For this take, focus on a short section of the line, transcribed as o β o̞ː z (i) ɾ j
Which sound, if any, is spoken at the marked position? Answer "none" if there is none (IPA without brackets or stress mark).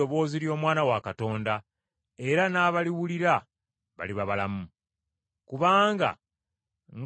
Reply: i